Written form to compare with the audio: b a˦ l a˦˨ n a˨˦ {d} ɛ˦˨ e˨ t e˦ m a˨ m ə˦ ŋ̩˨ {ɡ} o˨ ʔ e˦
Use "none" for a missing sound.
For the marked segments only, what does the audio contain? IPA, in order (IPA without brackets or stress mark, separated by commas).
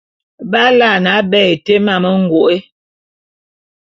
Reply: b, ɡ